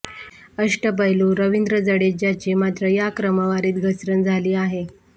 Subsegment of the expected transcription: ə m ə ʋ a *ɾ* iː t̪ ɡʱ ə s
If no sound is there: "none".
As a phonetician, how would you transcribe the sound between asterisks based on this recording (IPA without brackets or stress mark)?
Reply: ɾ